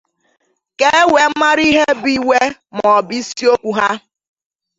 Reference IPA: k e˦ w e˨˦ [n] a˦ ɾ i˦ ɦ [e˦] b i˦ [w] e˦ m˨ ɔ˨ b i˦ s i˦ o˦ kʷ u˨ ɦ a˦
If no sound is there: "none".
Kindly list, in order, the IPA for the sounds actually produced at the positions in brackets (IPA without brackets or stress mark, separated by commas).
m, e˦, w